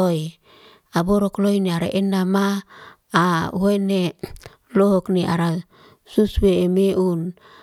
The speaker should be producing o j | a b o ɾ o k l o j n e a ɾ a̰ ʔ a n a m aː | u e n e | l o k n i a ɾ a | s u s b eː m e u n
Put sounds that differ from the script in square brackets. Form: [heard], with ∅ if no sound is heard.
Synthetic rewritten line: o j | a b o ɾ o k l o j n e a ɾ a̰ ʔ [e] n a m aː | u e n e | l o k n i a ɾ a | s u s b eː m e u n